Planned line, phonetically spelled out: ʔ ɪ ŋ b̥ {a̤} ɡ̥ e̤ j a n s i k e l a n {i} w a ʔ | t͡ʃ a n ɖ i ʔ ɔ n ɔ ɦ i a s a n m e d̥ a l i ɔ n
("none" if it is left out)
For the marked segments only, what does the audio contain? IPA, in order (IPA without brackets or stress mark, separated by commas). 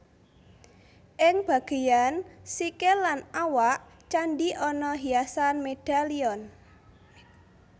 a̤, a